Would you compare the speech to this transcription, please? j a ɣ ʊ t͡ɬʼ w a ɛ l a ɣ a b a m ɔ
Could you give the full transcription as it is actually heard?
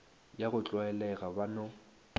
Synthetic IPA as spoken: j a ɣ ʊ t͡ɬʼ w a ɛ l ɛ ɣ a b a n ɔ

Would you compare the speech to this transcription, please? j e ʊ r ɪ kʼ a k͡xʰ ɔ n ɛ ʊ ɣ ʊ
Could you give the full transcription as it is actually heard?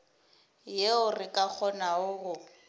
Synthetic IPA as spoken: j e ʊ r ɪ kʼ a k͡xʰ ɔ n a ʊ ɣ ʊ

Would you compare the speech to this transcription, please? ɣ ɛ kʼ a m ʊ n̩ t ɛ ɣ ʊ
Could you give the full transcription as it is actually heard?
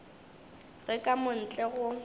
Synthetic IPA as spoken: ɣ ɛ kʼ a m ʊ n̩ t͡ɬʼ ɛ ɣ ʊ

